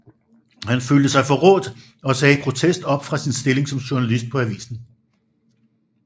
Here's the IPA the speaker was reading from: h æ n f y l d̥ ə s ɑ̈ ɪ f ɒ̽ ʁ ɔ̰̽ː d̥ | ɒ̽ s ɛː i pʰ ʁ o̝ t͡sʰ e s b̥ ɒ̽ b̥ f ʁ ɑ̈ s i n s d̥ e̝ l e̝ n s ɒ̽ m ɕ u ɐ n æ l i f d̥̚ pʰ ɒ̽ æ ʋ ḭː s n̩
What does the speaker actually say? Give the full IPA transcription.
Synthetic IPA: h æ n f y l d̥ ə s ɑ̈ ɪ f ɒ̽ ʁ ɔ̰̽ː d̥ | ɒ̽ s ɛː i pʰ ʁ o̝ t͡sʰ e s d̥ ɒ̽ b̥ f ʁ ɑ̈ s i n s d̥ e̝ l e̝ ŋ s ɒ̽ m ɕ u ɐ n æ l i s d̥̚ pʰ ɒ̽ æ ʋ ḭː s n̩

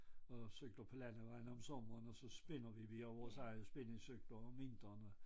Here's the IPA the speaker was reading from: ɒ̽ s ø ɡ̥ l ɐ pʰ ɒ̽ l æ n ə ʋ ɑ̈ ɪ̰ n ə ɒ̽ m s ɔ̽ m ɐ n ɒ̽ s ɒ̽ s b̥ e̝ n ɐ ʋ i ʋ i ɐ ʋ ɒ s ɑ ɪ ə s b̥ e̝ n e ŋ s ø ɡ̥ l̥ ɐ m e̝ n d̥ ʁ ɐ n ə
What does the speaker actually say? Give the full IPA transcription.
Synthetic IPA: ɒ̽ s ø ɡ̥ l ɐ pʰ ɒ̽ l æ n ə ʋ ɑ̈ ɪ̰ n ə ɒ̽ m s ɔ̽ m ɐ n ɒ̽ s ɒ̽ s b̥ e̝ n ɐ ʋ i ʋ i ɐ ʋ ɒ s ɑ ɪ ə s b̥ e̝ n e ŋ s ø ɡ̥ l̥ ɐ m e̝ n d̥ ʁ ɐ n ə

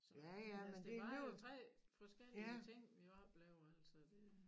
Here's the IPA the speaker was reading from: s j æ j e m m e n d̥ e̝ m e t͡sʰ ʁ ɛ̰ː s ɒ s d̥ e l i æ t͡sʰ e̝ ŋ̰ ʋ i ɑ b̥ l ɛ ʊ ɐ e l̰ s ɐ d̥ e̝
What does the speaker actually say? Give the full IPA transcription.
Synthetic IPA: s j æ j æ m m e n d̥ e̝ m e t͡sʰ ʁ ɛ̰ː f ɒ s ɡ̥ e l i æ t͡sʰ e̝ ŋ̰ ʋ i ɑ b̥ l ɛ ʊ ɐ æ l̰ s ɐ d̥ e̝

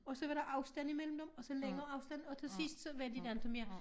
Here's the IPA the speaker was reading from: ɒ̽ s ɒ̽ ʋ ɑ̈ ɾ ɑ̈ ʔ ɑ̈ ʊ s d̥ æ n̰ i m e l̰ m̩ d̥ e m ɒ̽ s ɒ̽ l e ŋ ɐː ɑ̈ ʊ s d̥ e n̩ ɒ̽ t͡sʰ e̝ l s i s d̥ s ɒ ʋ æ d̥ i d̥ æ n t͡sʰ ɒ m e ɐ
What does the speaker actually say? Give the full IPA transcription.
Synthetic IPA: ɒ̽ s ɒ̽ ʋ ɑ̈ ɾ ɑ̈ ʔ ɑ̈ ʊ s d̥ æ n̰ i m e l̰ m̩ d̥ e m ɒ̽ s ɒ̽ l e ŋ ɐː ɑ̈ ʊ s d̥ æ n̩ ɒ̽ t͡sʰ e̝ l s i s d̥ s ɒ ʋ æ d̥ i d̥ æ n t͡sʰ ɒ m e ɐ

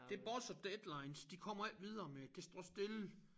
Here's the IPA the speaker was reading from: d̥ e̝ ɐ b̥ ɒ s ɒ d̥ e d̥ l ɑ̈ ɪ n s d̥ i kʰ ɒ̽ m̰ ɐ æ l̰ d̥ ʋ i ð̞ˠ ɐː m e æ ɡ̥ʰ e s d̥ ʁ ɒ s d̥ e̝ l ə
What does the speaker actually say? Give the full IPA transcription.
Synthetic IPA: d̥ e̝ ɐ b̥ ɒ s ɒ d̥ e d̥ l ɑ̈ ɪ n s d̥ i kʰ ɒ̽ m̰ ɐ æ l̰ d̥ ʋ i ð̞ˠ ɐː m e æ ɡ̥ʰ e s d̥ ʁ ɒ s d̥ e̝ l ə

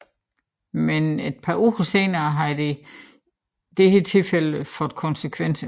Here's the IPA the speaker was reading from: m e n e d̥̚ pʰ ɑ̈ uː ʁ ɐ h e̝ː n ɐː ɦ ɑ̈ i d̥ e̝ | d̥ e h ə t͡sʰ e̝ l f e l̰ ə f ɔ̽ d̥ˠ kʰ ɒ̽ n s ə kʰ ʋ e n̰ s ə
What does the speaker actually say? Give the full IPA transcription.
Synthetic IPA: m e n e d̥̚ pʰ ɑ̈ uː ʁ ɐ s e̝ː n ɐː ɦ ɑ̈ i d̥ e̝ | d̥ e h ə t͡sʰ e̝ l f e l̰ ə f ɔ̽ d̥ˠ kʰ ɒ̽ n s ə kʰ ʋ e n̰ s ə

